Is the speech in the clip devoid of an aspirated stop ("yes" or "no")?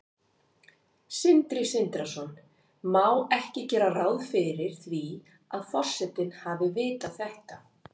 yes